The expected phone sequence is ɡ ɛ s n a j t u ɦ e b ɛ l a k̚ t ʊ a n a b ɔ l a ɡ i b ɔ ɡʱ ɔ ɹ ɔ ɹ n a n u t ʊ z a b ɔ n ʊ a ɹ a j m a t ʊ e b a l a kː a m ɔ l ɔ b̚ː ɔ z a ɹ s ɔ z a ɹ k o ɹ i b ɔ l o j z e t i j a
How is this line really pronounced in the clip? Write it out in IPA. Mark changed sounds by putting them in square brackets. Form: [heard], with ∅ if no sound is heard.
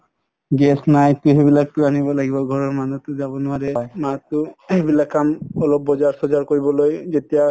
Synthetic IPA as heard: ɡ ɛ s n a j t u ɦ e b [i] l a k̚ t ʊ a n [i] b ɔ l a ɡ i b ɔ ɡʱ ɔ ɹ ɔ ɹ [m] a n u t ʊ z a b ɔ n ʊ a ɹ [ɛ] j m a t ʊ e b [i] l a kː a m ɔ l ɔ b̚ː ɔ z a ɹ s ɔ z a ɹ k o ɹ i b ɔ l o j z e t i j a